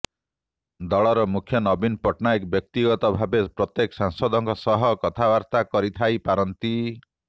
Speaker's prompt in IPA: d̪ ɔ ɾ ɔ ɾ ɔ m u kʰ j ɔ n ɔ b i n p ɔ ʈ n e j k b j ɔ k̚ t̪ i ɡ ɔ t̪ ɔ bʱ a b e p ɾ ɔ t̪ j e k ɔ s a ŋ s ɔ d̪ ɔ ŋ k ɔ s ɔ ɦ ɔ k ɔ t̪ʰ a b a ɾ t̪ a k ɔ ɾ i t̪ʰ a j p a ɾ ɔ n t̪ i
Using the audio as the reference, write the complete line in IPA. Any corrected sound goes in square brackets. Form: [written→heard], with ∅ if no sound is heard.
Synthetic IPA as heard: d̪ ɔ [ɾ→ɭ] ɔ ɾ ɔ m u kʰ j ɔ n ɔ b i n p ɔ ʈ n [e→a] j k b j ɔ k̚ t̪ i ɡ ɔ t̪ ɔ bʱ a b e p ɾ ɔ t̪ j e k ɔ s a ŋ s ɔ d̪ ɔ ŋ k ɔ s ɔ ɦ ɔ k ɔ t̪ʰ a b a ɾ t̪ a k ɔ ɾ i t̪ʰ a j p a ɾ ɔ n t̪ i